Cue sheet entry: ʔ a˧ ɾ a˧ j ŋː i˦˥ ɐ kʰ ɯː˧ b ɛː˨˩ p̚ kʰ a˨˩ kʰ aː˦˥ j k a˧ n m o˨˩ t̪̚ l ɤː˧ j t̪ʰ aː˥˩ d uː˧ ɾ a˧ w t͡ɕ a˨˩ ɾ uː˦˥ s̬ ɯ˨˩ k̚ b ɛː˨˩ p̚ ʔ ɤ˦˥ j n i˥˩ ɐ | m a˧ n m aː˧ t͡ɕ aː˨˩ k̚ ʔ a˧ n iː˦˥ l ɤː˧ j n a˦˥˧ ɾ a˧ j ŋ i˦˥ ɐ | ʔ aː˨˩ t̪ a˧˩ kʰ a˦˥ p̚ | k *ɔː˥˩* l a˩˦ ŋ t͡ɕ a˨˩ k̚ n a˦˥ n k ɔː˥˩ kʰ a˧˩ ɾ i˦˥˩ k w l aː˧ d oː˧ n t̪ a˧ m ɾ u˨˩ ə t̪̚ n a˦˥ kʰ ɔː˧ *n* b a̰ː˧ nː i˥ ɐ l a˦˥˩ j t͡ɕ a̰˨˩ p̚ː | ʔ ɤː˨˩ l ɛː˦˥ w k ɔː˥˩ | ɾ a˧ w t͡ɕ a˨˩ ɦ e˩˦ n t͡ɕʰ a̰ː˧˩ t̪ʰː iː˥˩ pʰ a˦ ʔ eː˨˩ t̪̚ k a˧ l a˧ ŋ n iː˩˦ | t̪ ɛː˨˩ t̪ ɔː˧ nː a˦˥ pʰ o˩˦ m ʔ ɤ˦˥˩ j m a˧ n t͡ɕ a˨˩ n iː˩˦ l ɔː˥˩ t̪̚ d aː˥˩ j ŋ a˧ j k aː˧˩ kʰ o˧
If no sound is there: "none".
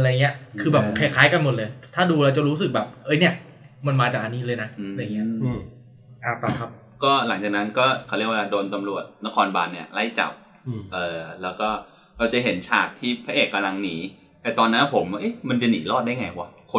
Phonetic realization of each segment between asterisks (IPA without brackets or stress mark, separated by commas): ɔː˥˩, n